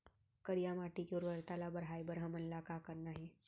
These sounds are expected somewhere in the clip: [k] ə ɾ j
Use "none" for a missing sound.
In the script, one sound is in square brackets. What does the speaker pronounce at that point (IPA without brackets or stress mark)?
k